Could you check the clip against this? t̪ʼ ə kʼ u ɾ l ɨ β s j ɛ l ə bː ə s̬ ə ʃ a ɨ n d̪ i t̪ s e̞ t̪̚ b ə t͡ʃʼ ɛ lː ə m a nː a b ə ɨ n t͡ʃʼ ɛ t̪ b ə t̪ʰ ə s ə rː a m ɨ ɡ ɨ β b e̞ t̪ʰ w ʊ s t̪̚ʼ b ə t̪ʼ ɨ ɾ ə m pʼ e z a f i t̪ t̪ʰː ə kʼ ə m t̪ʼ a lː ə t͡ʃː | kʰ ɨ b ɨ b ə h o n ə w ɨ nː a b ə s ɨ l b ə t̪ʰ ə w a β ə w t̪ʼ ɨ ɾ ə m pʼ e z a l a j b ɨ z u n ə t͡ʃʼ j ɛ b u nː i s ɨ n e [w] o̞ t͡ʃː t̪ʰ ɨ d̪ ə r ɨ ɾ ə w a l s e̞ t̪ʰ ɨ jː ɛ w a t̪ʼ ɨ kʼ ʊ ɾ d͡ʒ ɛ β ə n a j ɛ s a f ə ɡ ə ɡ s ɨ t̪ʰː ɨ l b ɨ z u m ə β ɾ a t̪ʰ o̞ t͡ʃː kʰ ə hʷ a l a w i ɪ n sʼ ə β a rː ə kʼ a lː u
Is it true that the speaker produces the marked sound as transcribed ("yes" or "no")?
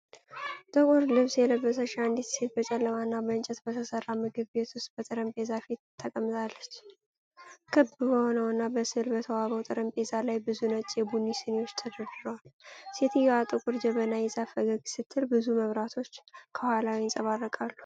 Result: yes